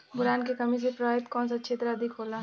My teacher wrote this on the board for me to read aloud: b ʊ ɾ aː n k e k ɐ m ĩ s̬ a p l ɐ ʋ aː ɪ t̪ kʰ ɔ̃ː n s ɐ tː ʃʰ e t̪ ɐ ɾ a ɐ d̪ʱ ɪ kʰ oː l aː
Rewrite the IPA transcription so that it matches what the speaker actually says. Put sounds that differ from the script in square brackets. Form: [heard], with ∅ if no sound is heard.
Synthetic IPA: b ʊ ɾ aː n k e k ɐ m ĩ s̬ [e] p [ɾ] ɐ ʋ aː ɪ t̪ [k] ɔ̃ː n s ɐ tː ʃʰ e t̪ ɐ ɾ a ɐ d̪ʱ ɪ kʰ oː l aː